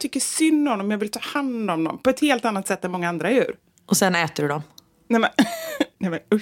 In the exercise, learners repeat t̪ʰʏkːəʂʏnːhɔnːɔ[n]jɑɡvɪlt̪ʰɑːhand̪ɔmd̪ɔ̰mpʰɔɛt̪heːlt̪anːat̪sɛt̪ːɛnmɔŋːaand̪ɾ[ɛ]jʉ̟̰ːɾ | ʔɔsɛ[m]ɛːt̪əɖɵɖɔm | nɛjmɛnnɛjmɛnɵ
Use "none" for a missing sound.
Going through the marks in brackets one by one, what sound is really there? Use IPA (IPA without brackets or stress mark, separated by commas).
m, a, n